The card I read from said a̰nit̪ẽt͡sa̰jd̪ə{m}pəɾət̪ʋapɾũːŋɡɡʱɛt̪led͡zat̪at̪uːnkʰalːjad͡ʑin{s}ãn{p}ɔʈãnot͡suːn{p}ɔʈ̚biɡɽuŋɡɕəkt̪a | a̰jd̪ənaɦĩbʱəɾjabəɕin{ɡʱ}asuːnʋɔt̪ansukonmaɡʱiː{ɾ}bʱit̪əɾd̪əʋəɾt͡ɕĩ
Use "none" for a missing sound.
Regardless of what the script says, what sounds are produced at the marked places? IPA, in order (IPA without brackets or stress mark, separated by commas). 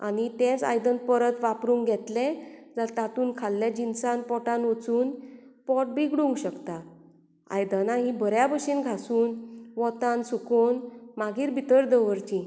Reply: n, s, p, p, ɡʱ, ɾ